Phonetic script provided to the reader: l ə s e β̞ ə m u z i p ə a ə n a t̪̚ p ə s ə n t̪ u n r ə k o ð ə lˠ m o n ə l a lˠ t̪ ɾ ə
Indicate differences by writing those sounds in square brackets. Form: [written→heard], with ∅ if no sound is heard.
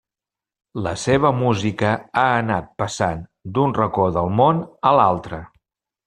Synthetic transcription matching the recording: l ə s e β̞ ə m u z i [p→k] ə a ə n a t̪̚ p ə s [ə→a] n [t̪→d̪] u n r ə k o ð ə lˠ m o n ə l a lˠ t̪ ɾ ə